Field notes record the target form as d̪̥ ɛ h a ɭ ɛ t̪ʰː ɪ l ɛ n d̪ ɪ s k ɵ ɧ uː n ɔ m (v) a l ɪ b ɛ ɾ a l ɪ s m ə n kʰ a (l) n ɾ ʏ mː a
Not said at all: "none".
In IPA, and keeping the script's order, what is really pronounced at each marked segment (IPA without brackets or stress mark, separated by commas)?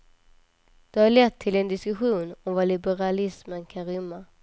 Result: v, none